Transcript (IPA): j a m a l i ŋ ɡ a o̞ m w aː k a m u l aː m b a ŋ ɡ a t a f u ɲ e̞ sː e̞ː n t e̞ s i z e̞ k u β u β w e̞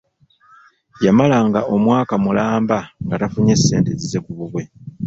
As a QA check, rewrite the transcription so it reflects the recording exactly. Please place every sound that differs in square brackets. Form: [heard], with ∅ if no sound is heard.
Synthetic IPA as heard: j a m a l [a] ŋ ɡ a o̞ m w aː k a m u l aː m b a ŋ ɡ a t a f u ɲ e̞ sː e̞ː n t e̞ [z] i z e̞ k u β u β w e̞